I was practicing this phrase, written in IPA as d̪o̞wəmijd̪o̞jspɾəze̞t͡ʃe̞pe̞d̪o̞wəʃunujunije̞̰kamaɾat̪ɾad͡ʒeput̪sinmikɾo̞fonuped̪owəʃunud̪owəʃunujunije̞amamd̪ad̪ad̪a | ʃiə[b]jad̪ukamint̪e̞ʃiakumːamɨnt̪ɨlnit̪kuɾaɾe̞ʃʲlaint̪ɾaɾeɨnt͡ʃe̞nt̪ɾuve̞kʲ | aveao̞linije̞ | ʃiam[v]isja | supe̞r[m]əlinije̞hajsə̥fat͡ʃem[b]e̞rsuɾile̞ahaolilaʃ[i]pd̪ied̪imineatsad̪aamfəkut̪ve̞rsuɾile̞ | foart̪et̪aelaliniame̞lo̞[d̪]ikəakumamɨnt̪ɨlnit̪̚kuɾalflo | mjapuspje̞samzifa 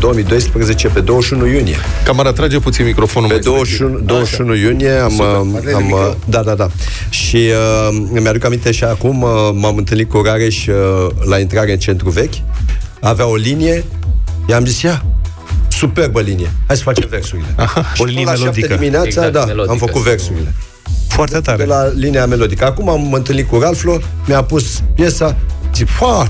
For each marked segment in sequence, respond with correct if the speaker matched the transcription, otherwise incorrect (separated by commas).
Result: incorrect, incorrect, incorrect, incorrect, incorrect, correct